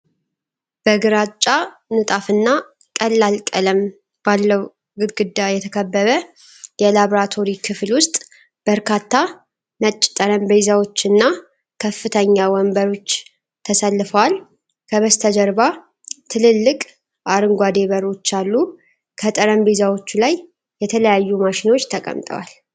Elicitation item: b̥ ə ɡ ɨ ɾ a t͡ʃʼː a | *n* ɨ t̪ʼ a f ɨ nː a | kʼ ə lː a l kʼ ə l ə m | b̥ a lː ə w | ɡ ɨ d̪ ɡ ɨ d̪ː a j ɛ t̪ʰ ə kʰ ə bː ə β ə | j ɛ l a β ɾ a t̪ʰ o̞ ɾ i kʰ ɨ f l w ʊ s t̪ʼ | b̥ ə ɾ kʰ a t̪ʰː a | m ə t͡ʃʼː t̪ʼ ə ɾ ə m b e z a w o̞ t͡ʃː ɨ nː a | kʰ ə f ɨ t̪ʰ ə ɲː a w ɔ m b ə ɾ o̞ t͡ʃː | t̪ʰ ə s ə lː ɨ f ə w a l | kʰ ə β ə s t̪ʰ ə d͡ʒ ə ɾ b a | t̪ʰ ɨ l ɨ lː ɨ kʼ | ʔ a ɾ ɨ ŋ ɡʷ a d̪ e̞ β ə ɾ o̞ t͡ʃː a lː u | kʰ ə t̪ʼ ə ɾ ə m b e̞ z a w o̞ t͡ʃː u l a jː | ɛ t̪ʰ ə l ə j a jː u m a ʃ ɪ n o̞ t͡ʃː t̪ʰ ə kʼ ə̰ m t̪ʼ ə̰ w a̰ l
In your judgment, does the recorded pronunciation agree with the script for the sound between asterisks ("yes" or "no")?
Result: yes